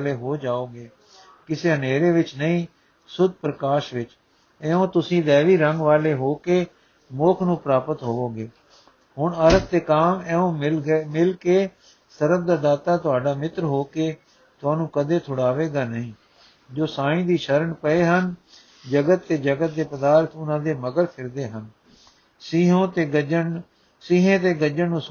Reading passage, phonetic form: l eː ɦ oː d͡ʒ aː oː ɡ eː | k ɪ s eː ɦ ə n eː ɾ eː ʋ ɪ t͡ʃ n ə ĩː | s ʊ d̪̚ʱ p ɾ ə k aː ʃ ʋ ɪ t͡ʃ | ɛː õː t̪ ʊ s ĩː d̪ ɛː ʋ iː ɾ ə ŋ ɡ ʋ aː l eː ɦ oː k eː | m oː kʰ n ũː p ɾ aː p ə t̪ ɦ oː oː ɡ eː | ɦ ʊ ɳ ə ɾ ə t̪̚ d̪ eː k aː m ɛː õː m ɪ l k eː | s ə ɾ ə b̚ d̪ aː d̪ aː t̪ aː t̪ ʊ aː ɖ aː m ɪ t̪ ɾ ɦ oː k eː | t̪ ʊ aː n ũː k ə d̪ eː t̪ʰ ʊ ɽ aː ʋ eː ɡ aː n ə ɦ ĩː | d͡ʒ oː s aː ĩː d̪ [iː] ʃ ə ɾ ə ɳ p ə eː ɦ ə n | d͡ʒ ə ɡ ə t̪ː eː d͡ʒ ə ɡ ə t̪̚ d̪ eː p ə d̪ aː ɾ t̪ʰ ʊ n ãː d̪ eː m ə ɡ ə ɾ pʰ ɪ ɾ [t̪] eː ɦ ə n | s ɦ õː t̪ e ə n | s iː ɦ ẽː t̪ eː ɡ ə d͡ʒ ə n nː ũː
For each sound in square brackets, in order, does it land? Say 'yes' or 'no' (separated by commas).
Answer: yes, no